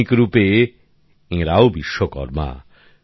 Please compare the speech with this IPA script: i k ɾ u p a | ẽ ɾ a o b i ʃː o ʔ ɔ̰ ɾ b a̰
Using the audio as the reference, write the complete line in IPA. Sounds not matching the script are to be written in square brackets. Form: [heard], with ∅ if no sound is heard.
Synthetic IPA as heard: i k ɾ u p [e] | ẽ ɾ a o b i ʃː o [k] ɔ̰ ɾ [m] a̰